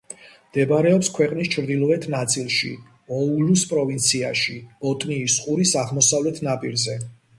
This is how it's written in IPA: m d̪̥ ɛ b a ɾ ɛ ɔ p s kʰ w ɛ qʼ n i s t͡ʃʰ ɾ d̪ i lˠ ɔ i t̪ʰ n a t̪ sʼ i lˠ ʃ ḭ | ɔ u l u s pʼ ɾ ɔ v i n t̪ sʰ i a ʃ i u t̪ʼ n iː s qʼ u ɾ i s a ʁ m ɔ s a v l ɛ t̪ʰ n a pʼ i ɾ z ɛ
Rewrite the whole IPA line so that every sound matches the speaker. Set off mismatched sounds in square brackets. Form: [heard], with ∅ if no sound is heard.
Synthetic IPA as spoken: m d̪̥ ɛ b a ɾ ɛ ɔ p s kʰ w ɛ qʼ n i s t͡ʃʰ ɾ d̪ i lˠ ɔ [ɛ] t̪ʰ n a t̪ sʼ i lˠ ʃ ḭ | ɔ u l u s pʼ ɾ ɔ v i n t̪ sʰ i a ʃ i [ɔ] t̪ʼ n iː s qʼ u ɾ i s a ʁ m ɔ s a v l ɛ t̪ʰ n a pʼ i ɾ z ɛ